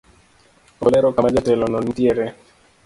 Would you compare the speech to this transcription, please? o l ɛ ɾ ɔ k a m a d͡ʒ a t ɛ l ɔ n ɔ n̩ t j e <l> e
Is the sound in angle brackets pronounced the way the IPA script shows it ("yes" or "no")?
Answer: no